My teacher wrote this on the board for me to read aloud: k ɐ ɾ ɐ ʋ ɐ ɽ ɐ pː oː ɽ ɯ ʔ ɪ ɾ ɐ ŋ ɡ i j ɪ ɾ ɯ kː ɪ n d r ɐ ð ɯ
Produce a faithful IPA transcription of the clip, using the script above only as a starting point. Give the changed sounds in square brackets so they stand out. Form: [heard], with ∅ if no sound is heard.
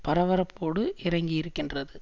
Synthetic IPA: [p] ɐ ɾ ɐ ʋ ɐ [ɾ] ɐ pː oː ɽ ɯ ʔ ɪ ɾ ɐ ŋ ɡ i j ɪ ɾ ɯ kː ɪ n d r ɐ ð ɯ